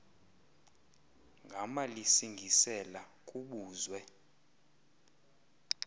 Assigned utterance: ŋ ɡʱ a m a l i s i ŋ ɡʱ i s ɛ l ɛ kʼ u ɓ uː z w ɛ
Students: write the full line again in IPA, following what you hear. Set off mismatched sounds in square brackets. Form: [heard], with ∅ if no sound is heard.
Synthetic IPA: ŋ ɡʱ a m a l i s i ŋ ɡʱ i s ɛ l [a] kʼ u ɓ uː z w ɛ

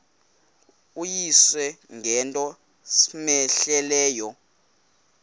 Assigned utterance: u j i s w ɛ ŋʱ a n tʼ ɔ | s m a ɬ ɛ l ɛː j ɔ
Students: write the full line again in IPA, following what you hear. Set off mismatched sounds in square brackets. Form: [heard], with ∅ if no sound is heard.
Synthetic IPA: u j i s w ɛ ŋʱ [ɛ] n tʼ ɔ | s m [ɛ] ɬ ɛ l ɛː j ɔ

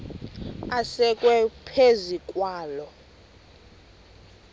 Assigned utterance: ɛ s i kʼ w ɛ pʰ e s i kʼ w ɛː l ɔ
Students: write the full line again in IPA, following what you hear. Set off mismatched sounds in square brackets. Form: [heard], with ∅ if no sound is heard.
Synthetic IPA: [a] s [ɛ] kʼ w ɛ pʰ e [z] i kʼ w [aː] l ɔ

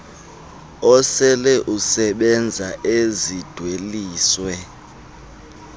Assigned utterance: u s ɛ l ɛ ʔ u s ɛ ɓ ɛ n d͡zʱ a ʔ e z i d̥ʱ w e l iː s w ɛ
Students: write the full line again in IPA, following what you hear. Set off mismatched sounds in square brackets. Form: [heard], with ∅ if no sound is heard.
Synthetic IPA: [ɔ] s ɛ l ɛ ʔ u s ɛ ɓ ɛ n d͡zʱ a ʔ e z i d̥ʱ w e l iː s w ɛ

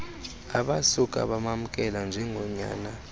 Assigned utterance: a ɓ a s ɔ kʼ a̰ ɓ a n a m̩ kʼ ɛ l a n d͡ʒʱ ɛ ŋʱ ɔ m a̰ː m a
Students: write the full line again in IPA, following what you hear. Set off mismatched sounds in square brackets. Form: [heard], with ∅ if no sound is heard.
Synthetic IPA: a ɓ a s [u] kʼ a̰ ɓ a [m] a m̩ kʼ ɛ l a n d͡ʒʱ ɛ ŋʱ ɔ [ɲ] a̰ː [n] a

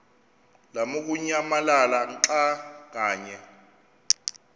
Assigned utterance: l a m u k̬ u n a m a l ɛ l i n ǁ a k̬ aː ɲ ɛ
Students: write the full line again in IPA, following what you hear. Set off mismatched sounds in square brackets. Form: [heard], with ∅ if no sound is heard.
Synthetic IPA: l a m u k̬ u [ɲ] a m a l [a] l [a] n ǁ a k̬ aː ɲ ɛ

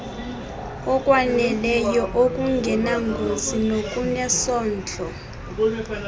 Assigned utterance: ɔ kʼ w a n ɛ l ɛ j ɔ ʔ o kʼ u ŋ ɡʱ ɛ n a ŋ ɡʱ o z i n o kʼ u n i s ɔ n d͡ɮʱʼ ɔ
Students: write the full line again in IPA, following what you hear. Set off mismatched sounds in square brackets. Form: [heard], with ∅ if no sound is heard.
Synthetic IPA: ɔ kʼ w a n ɛ l ɛ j ɔ ʔ o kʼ u ŋ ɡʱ ɛ n a ŋ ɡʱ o z i n o kʼ u n [ɛ] s [ɔː] n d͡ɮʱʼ ɔ

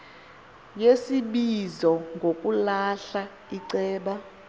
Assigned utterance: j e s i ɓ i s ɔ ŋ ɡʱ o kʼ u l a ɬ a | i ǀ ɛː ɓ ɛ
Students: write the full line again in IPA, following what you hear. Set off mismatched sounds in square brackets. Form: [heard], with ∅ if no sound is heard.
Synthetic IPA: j e s i ɓ i [z] ɔ ŋ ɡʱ o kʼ u l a ɬ a | i ǀ ɛː ɓ [a]

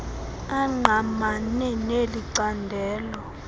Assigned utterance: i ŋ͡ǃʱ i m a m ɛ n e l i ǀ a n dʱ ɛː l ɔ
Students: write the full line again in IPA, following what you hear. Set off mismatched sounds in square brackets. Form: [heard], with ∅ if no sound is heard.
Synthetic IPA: [a] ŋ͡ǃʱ [a] m a [n] ɛ n e l i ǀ a n dʱ ɛː l ɔ

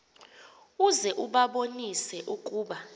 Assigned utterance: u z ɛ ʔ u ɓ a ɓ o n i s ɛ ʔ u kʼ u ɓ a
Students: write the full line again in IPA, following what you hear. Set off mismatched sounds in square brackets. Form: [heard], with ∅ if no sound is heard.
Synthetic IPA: u z ɛ ʔ u ɓ a ɓ o n i s ɛ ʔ u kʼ [uː] ɓ a

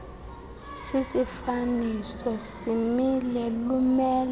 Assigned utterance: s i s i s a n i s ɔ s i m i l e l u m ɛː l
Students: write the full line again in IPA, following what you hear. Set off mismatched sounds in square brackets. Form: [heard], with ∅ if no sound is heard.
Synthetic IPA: s i s i [f] a n i s ɔ s i m i l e l u m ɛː l

